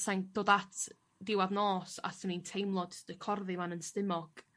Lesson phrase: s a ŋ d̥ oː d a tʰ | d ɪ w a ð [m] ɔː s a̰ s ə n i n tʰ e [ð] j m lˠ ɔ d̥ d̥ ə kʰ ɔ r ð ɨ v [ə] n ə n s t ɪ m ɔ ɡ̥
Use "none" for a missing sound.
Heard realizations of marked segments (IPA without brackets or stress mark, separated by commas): n, none, a